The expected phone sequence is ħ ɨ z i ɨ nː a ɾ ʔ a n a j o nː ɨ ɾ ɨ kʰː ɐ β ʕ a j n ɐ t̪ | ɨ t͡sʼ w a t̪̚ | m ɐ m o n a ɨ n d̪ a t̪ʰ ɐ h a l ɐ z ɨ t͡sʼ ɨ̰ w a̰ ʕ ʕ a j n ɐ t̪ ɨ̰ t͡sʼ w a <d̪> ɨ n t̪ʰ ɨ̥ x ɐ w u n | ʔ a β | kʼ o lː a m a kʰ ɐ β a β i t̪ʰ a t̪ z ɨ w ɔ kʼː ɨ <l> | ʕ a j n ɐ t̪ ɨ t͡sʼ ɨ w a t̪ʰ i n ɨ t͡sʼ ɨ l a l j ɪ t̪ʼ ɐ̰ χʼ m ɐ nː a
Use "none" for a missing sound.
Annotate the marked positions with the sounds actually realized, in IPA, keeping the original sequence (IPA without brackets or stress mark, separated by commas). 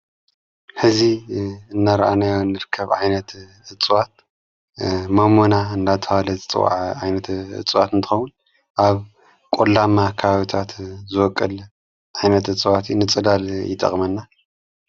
t̪, l